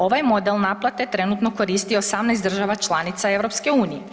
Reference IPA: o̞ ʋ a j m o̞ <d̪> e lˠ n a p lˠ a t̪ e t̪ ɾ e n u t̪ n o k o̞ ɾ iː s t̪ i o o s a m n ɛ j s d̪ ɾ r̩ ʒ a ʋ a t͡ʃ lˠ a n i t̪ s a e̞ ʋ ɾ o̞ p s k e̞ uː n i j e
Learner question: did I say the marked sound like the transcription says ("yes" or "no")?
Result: yes